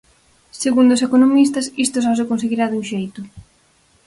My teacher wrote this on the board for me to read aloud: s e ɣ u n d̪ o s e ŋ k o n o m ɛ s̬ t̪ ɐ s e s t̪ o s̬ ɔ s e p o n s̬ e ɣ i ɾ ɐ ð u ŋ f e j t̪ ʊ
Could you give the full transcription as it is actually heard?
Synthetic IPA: s e ɣ u n d̪ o s e k o n o m i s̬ t̪ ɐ s i s t̪ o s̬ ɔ s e k o n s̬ e ɣ i ɾ a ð u ŋ ʃ e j t̪ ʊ